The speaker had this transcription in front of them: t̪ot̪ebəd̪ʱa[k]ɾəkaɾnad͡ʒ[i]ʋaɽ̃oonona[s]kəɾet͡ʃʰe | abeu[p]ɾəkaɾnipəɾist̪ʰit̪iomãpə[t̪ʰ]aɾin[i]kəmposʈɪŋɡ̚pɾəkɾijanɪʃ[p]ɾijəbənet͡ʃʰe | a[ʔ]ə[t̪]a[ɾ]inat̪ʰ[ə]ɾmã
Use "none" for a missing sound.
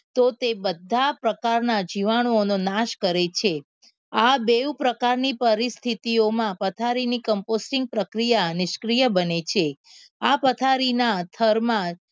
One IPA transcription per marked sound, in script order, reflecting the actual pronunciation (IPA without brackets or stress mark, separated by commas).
p, i, ʃ, p, t̪ʰ, i, k, p, t̪ʰ, ɾ, ə